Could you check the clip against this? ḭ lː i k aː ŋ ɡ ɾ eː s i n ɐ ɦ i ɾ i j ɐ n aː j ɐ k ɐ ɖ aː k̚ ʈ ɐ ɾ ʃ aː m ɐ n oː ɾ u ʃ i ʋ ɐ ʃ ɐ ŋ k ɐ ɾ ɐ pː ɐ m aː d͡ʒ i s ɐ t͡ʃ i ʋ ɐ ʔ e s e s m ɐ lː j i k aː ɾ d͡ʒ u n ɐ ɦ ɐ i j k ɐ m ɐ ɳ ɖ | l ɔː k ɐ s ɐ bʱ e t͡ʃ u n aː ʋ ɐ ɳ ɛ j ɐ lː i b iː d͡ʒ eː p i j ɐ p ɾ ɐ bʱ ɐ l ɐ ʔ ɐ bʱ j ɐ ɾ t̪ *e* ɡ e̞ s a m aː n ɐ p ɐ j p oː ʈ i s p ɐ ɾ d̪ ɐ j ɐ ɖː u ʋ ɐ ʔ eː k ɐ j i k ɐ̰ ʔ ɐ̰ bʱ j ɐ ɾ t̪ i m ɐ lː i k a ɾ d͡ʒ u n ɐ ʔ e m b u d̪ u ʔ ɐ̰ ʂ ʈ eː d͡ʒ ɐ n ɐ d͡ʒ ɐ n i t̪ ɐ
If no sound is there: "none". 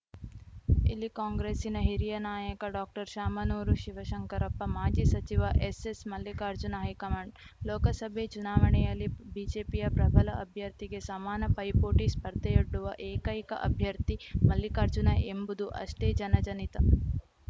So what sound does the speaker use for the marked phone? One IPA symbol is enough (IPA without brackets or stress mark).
i